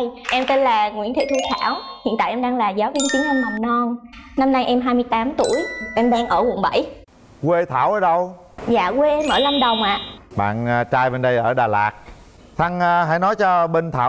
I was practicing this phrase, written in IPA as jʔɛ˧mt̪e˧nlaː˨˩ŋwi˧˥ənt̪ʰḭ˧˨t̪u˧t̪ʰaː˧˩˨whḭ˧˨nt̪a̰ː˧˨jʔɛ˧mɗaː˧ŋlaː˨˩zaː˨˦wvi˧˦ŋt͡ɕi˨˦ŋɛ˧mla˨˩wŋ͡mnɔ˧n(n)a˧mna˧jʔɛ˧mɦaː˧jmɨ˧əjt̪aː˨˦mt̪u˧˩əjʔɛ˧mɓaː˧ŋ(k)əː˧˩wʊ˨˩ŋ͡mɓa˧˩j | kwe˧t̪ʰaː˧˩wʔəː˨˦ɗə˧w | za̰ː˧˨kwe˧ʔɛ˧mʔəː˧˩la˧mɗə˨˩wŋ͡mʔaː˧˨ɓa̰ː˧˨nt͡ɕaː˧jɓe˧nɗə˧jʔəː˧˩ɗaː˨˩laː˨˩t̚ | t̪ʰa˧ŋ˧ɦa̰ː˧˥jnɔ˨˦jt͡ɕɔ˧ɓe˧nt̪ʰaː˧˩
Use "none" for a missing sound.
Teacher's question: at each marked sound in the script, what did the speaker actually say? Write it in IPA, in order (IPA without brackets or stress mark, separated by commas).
n, ʔ